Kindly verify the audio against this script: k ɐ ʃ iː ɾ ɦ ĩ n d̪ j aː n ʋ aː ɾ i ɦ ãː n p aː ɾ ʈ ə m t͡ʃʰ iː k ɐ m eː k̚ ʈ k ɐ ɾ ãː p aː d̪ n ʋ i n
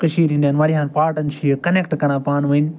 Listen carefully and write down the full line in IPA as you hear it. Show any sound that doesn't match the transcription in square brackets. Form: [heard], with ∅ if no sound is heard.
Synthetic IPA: k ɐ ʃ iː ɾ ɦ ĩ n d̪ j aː n ʋ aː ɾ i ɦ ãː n p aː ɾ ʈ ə [n] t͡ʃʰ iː k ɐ [n] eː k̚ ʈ k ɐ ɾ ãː p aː [∅] n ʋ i n